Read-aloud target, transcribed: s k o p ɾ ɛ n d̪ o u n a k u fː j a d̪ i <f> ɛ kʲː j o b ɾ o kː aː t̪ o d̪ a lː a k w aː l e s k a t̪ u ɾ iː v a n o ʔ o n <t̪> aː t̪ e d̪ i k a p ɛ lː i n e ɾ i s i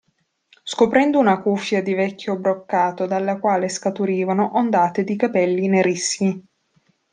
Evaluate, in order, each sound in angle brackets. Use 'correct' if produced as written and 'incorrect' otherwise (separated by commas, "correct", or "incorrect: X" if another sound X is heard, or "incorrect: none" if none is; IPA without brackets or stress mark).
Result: incorrect: v, incorrect: d̪